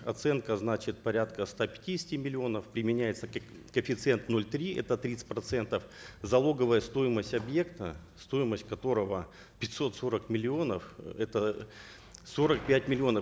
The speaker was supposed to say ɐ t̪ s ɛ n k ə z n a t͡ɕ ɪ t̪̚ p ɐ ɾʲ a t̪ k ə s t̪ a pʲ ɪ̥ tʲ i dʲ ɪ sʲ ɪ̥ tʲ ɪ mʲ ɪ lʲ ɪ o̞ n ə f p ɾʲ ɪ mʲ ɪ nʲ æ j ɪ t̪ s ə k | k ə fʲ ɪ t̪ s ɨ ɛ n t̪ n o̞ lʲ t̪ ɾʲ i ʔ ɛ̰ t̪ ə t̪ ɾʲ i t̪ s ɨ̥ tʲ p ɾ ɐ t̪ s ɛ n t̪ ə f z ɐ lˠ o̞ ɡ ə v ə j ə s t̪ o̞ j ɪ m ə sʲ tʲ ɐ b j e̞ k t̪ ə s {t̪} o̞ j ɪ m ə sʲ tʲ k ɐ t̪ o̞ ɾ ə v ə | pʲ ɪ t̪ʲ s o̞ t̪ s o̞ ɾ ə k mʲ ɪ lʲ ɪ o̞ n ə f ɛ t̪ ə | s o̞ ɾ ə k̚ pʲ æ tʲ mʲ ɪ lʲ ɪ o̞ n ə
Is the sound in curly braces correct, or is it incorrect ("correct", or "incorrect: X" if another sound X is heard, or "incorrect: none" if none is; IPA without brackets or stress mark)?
correct